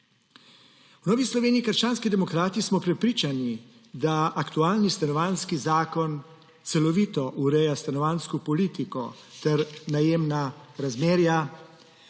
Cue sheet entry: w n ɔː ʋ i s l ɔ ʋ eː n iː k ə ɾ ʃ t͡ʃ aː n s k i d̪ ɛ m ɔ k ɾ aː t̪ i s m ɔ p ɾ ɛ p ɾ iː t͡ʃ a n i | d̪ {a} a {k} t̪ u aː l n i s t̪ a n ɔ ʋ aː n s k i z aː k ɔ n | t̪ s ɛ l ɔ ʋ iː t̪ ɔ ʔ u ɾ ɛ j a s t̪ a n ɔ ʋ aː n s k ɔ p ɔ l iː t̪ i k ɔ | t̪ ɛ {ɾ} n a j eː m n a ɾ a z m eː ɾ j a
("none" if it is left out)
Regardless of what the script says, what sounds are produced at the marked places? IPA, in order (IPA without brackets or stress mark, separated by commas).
a, k, ɾ